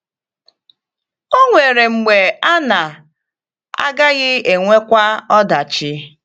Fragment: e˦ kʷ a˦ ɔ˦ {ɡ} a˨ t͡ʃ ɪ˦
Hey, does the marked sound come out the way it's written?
no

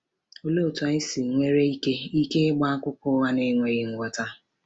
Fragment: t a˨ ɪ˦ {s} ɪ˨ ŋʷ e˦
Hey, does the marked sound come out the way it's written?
yes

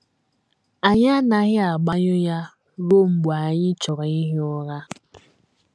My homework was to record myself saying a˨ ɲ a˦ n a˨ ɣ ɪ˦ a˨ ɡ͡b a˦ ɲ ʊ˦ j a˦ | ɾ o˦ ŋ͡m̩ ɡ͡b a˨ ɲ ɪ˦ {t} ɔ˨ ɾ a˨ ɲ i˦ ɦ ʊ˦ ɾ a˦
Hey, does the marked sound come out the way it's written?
no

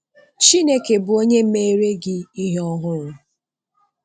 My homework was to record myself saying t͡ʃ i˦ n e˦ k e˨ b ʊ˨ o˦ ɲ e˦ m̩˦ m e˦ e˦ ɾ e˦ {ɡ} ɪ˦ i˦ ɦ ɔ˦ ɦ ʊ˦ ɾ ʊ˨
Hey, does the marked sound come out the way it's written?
yes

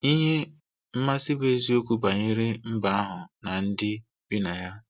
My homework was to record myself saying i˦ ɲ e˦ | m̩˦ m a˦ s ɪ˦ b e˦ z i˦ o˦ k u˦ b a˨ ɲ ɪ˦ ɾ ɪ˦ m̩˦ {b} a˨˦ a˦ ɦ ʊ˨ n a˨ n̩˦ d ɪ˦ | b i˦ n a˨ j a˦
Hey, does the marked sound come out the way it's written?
yes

